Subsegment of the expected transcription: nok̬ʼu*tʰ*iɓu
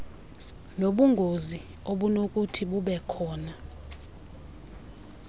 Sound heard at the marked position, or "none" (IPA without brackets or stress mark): tʰ